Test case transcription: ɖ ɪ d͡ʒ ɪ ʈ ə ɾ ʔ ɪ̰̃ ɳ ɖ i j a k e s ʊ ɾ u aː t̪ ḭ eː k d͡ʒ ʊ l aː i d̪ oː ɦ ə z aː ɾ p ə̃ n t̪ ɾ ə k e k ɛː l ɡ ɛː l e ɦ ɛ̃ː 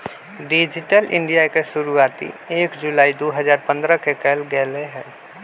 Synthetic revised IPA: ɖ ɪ d͡ʒ ɪ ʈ ə l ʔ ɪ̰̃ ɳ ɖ i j a k e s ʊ ɾ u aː t̪ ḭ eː k d͡ʒ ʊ l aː i d̪ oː ɦ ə z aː ɾ p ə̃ n d̪ ɾ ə k e k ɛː l ɡ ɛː l e ɦ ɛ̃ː